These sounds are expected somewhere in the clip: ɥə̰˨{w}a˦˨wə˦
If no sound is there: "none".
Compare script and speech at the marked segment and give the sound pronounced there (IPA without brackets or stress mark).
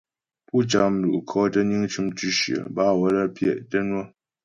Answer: b